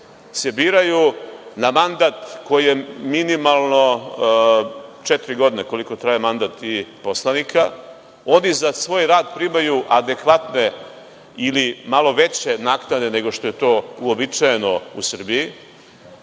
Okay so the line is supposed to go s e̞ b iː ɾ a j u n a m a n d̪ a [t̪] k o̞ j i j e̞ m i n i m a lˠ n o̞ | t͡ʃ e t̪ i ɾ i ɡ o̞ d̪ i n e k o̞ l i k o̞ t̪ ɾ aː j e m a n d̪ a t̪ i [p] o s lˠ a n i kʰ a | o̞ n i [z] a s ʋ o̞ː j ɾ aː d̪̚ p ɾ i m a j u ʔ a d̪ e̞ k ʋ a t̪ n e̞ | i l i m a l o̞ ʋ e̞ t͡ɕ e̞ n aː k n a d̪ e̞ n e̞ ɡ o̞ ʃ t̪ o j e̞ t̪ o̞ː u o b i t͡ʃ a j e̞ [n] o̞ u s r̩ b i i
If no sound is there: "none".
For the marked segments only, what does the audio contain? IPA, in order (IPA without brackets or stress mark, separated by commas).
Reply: t̪, p, z, n